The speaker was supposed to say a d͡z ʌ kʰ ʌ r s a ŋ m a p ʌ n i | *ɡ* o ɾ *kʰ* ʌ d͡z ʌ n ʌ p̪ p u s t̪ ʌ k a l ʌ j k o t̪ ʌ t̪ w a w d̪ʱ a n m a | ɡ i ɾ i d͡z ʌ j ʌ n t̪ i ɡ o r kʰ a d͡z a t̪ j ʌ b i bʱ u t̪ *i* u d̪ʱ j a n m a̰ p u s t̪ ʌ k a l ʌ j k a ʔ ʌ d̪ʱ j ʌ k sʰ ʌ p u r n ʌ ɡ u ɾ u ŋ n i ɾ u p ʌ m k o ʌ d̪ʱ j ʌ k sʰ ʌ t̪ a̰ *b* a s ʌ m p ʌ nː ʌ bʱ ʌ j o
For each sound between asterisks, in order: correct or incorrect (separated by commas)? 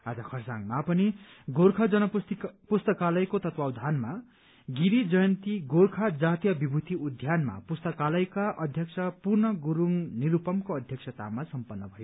correct, correct, correct, incorrect